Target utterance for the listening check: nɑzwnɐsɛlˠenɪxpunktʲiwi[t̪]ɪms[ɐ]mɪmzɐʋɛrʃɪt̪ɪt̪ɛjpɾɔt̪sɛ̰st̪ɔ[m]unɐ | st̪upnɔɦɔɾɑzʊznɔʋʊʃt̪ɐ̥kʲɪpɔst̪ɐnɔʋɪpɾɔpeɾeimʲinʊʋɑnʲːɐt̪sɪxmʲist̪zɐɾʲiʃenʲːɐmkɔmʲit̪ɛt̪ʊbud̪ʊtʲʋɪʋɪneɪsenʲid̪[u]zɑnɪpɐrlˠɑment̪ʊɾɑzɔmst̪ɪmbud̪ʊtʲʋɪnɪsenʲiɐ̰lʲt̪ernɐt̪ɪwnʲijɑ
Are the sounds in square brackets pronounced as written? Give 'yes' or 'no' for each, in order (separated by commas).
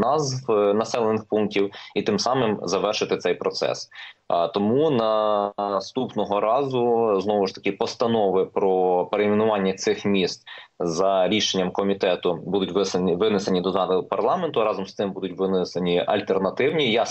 yes, no, yes, no